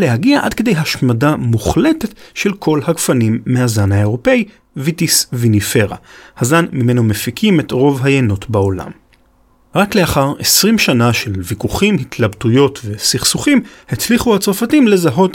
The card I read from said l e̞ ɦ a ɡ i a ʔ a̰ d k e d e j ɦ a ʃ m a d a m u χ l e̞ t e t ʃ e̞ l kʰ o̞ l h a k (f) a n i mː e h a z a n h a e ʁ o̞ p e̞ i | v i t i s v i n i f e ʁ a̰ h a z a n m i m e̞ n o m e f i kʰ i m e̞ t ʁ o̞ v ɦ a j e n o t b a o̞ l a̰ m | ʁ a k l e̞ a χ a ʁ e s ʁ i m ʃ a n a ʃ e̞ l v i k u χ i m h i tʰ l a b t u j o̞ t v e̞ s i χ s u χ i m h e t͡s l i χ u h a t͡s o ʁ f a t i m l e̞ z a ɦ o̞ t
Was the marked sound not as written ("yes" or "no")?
no